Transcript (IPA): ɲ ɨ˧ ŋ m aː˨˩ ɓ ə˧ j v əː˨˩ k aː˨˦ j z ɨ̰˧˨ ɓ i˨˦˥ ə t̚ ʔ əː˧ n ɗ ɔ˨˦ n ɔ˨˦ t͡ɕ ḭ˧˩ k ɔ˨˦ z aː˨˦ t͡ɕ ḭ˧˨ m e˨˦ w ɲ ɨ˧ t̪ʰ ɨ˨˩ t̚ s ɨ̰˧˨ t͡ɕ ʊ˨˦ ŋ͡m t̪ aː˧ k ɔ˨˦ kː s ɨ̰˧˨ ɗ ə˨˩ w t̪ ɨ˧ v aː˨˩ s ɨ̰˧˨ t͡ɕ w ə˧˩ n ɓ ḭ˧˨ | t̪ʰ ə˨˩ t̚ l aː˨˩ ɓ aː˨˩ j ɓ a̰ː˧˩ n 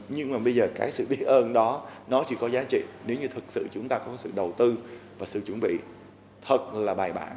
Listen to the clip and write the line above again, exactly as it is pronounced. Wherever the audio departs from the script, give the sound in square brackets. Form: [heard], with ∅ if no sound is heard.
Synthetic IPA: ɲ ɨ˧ ŋ m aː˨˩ ɓ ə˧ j [z] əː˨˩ k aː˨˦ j [s] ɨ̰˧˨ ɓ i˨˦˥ ə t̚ ʔ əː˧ n ɗ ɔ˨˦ n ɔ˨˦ t͡ɕ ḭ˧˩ k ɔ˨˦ z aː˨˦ t͡ɕ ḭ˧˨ [n] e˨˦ w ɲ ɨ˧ t̪ʰ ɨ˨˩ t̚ s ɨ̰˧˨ t͡ɕ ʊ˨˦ ŋ͡m t̪ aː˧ k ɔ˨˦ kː s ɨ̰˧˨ ɗ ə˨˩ w t̪ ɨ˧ v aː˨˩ s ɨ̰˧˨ t͡ɕ w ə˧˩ n ɓ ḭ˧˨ | t̪ʰ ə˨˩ t̚ l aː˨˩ ɓ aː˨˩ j ɓ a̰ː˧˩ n